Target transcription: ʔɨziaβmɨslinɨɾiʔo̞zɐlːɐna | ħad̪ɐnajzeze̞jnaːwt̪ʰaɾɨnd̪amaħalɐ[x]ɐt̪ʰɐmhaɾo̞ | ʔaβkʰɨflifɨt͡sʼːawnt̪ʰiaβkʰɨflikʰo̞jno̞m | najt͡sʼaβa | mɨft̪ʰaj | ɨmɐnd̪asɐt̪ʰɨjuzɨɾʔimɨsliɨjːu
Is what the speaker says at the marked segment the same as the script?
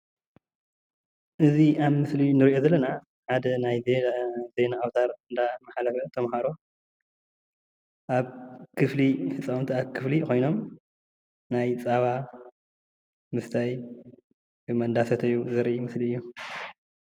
no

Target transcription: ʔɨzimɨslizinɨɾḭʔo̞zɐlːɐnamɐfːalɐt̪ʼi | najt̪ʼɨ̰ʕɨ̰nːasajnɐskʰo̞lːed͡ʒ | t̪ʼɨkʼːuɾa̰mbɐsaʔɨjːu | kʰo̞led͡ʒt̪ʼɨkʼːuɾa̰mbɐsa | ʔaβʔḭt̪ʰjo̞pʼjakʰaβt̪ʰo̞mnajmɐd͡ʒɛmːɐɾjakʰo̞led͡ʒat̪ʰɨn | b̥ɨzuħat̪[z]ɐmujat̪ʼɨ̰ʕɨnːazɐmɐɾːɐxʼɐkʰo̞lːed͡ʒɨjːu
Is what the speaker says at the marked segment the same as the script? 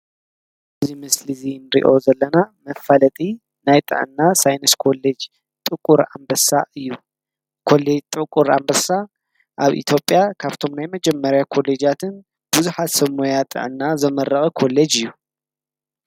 no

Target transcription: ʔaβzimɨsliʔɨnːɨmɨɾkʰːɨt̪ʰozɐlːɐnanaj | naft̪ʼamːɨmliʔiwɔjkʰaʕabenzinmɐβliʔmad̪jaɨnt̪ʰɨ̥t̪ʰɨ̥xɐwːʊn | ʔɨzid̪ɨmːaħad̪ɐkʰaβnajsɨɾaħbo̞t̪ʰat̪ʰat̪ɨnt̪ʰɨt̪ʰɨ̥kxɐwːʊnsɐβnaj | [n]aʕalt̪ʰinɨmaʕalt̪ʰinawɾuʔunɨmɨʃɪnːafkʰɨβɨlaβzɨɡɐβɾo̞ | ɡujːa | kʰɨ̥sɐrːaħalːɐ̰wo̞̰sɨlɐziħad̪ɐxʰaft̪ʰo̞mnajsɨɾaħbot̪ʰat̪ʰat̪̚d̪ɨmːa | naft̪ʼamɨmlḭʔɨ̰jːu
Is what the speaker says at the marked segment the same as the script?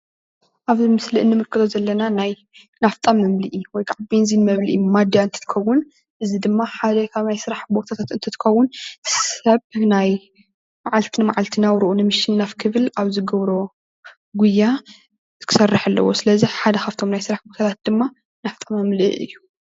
no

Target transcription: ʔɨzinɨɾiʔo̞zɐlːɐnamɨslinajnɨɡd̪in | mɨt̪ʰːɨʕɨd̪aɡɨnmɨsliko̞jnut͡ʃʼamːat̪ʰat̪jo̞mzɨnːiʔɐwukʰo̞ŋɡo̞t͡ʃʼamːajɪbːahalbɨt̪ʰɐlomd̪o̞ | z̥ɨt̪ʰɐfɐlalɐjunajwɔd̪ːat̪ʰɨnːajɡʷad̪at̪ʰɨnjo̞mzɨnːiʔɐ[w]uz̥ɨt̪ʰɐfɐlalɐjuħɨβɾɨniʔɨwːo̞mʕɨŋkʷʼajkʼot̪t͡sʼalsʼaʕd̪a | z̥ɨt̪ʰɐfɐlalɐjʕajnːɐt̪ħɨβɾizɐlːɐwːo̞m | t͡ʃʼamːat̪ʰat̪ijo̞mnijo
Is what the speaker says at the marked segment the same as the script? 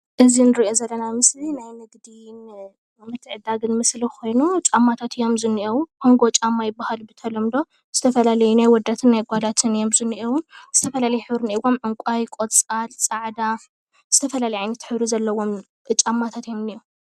yes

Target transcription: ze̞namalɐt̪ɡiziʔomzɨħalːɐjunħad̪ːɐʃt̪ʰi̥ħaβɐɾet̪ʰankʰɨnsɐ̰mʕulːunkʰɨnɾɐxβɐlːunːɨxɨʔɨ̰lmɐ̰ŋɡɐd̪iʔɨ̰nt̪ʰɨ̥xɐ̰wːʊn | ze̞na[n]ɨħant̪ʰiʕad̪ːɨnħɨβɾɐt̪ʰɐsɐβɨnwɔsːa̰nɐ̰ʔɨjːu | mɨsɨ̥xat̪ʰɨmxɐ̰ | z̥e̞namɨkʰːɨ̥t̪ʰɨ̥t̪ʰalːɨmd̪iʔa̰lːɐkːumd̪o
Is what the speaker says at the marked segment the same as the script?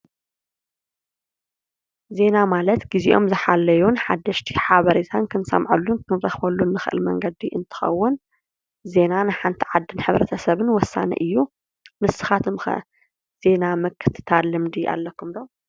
yes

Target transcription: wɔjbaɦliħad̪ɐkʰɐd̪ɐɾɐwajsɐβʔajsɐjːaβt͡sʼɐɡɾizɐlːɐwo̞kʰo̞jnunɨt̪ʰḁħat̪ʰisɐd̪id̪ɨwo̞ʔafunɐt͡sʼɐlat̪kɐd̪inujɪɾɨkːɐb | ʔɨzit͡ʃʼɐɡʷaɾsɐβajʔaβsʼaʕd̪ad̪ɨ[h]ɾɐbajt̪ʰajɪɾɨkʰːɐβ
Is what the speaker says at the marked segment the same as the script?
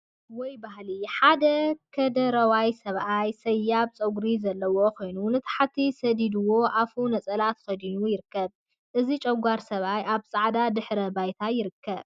no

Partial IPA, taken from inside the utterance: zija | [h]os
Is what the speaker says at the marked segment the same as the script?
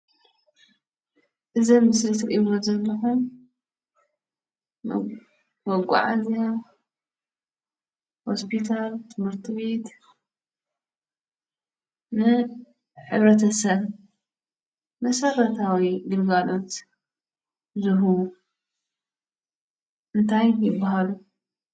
yes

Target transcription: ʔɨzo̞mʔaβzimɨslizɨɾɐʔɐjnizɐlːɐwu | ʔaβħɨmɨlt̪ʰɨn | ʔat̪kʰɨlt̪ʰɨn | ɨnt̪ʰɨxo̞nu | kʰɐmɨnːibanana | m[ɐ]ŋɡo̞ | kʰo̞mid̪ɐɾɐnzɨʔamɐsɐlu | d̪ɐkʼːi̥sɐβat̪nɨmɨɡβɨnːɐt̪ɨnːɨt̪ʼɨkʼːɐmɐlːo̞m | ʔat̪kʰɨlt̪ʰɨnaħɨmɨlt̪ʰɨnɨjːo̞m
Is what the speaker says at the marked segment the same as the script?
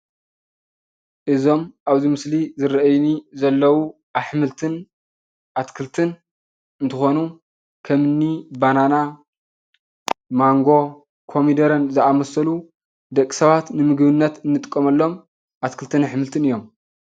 no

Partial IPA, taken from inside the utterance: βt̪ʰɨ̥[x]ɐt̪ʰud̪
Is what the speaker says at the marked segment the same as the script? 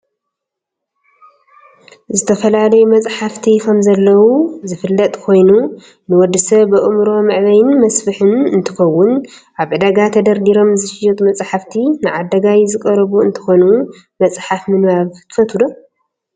no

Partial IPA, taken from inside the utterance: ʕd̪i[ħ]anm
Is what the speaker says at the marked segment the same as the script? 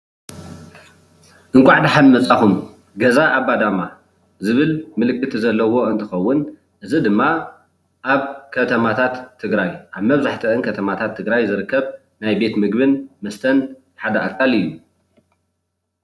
yes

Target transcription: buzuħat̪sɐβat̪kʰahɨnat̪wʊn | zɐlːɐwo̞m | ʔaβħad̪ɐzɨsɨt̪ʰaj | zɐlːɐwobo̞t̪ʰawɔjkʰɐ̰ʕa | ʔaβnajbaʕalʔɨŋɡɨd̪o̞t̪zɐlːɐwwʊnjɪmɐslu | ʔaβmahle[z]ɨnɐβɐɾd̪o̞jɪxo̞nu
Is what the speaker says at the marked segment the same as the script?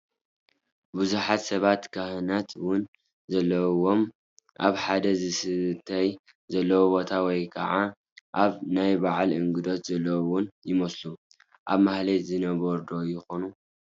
yes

